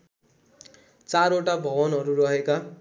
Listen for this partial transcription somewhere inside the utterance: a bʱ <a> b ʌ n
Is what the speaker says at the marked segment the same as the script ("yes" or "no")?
no